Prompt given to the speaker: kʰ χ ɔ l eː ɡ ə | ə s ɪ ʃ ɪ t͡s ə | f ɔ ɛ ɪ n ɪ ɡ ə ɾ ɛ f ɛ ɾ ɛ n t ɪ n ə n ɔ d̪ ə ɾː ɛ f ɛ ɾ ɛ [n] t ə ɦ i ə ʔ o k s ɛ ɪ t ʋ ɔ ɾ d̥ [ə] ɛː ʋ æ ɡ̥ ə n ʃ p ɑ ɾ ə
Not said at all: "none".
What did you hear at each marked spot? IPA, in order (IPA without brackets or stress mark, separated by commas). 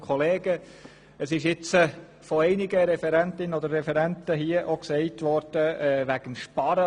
n, ə